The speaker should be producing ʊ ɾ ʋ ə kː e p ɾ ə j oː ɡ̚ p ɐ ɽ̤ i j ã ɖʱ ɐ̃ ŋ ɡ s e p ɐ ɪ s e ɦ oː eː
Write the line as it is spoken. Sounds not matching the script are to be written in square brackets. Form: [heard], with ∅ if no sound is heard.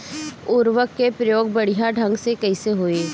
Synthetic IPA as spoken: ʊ ɾ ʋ ə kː e p ɾ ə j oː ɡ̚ [b] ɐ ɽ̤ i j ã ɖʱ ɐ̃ ŋ ɡ s e [k] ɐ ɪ s e ɦ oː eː